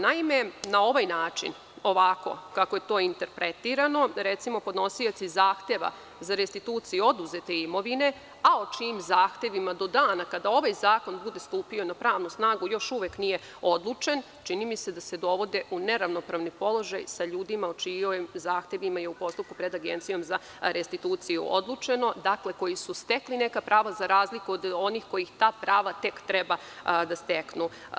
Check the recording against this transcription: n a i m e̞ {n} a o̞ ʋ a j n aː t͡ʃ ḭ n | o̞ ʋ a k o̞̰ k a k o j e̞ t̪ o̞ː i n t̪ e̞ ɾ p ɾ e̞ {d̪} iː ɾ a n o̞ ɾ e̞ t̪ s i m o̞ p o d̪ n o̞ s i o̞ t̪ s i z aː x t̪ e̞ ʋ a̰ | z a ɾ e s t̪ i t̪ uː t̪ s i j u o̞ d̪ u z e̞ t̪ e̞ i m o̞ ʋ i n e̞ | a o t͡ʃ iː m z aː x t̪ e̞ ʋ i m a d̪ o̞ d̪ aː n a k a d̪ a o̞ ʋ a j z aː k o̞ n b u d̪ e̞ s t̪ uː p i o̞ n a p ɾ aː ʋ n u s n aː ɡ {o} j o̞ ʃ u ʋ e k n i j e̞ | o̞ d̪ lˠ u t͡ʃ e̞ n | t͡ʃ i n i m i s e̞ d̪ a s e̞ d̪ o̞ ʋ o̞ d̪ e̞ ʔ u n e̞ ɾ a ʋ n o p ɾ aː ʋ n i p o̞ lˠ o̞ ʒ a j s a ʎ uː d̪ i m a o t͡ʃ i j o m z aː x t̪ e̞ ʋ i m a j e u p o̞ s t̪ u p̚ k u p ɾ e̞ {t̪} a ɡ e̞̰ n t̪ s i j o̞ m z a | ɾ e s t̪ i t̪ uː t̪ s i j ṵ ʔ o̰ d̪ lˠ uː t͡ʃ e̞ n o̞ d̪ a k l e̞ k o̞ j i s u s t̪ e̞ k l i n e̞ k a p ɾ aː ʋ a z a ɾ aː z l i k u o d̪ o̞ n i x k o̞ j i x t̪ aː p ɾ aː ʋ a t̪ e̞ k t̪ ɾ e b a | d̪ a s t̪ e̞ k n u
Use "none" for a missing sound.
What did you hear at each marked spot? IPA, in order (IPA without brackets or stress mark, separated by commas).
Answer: n, t̪, u, d̪